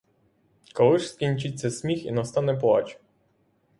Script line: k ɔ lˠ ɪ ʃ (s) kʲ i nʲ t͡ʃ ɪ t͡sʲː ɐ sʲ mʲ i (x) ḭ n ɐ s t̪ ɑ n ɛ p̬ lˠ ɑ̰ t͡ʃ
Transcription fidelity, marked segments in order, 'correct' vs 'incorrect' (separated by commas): correct, correct